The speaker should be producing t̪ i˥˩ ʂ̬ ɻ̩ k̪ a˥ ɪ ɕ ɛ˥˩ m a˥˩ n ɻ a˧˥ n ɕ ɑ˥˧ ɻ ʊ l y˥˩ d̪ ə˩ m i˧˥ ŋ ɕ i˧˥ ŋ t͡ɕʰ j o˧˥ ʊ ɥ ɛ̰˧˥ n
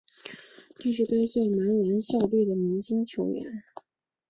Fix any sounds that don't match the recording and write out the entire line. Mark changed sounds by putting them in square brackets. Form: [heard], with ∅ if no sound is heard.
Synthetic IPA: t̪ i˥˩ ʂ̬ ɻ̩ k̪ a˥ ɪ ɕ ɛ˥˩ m [a˧˥] n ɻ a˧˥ n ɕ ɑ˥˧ [∅] ʊ l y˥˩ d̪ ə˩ m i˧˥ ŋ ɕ [i˥] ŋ t͡ɕʰ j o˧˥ ʊ ɥ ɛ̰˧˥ n